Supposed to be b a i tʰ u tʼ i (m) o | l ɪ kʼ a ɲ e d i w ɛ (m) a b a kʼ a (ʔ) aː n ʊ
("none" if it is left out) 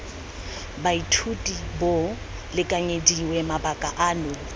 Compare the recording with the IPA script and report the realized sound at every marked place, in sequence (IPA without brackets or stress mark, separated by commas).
b, m, ʔ